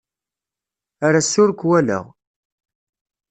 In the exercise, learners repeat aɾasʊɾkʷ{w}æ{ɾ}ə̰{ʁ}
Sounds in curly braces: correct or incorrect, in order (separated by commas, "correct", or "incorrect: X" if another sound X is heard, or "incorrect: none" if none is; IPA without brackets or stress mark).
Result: correct, incorrect: l, correct